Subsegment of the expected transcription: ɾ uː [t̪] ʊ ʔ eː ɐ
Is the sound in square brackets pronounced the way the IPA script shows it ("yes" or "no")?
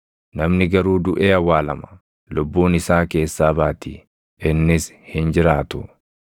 no